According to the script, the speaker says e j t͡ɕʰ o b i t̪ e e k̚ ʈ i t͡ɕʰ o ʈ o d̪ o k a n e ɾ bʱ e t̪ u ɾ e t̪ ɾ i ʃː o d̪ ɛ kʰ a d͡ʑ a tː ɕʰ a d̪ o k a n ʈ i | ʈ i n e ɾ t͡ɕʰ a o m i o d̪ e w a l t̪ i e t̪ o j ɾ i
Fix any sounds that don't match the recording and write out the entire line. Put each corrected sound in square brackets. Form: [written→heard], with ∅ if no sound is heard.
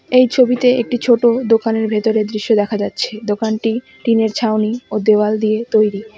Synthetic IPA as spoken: e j t͡ɕʰ o b i t̪ e e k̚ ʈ i t͡ɕʰ o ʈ o d̪ o k a n e ɾ bʱ e t̪ [u→o] ɾ e [t̪→d̪] ɾ i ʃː o d̪ ɛ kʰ a d͡ʑ a tː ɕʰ [a→e] d̪ o k a n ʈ i | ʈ i n e ɾ t͡ɕʰ a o [m→n] i o d̪ e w a l [t̪→d̪] i e t̪ o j ɾ i